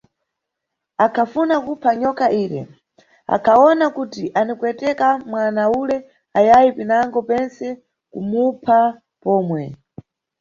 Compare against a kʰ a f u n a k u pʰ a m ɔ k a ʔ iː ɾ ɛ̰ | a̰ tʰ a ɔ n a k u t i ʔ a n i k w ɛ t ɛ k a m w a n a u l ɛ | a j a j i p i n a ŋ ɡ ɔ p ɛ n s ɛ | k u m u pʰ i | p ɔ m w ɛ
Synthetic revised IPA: a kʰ a f u n a k u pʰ a ɲ ɔ k a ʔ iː ɾ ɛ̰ | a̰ kʰ a ɔ n a k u t i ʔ a n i k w ɛ t ɛ k a m w a n a u l ɛ | a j a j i p i n a ŋ ɡ ɔ p ɛ n s ɛ | k u m u pʰ a | p ɔː m w ɛ